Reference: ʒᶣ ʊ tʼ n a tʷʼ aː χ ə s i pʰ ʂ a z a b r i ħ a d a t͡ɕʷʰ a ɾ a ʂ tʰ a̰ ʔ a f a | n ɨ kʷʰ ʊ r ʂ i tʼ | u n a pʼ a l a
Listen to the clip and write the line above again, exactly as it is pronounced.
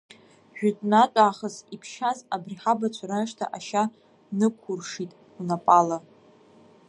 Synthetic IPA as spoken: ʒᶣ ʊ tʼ n a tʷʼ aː χ ə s i pʰ ʃ a z a b r i ħ a b a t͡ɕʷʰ a ɾ a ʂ tʰ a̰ ʔ a ʃ a | n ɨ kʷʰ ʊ r ʂ i tʼ | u n a pʼ a l a